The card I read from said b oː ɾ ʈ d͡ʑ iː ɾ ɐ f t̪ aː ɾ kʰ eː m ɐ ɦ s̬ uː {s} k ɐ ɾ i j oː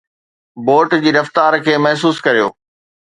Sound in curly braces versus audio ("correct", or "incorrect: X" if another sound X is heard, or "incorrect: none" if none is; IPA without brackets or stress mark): correct